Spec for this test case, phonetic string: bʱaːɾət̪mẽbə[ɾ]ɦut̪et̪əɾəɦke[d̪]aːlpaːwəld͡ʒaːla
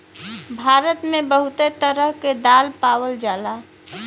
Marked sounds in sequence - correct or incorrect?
incorrect: none, correct

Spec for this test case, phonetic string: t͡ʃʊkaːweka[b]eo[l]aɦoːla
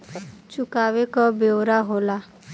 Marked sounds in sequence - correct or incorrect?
correct, incorrect: ɾ

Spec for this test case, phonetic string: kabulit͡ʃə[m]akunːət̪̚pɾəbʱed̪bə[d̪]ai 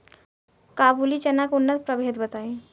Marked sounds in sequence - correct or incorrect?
incorrect: n, incorrect: t̪

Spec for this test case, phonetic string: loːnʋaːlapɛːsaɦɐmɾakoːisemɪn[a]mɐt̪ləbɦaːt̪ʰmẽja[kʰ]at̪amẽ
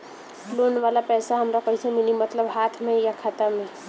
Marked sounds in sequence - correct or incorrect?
incorrect: i, correct

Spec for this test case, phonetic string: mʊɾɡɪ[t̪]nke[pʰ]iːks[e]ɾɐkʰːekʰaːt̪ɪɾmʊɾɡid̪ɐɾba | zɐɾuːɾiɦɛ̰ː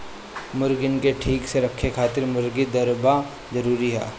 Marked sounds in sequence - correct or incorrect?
incorrect: none, incorrect: ʈʰ, correct

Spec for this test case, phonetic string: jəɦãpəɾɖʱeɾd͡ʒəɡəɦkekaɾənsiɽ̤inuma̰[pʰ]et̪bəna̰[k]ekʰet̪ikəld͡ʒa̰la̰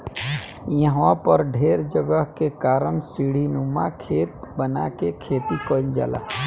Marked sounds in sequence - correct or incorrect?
incorrect: kʰ, correct

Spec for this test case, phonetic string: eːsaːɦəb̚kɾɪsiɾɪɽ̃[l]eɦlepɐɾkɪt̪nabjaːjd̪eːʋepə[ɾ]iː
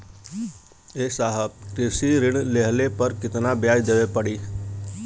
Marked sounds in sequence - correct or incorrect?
correct, incorrect: ɽ

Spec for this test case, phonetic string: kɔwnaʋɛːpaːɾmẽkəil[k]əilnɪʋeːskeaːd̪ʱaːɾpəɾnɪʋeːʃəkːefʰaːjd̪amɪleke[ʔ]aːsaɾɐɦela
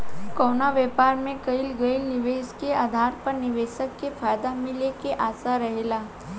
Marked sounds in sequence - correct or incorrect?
incorrect: ɡ, correct

